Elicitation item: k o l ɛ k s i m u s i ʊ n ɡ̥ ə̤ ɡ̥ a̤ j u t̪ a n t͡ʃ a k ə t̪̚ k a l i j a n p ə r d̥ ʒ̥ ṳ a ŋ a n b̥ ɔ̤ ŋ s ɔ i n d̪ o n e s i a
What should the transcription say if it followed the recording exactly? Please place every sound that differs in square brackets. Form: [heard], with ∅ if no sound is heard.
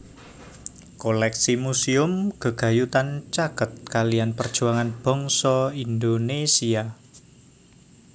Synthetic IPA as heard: k o l ɛ k s i m u s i ʊ [m] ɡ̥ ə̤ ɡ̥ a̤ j u t̪ a n t͡ʃ a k ə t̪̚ k a l i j a n p ə r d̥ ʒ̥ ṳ a ŋ a n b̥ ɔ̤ ŋ s ɔ i n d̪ o n e s i a